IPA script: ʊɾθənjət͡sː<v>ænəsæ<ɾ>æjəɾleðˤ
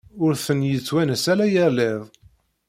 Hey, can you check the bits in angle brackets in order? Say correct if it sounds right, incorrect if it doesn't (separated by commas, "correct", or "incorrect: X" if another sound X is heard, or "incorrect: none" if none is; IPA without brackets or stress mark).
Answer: incorrect: w, incorrect: l